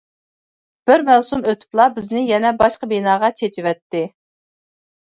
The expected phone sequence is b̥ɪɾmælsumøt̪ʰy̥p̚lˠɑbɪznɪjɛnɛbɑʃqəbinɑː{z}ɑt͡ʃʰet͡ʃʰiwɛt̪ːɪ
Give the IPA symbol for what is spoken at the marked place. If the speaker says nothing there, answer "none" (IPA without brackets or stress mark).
ʁ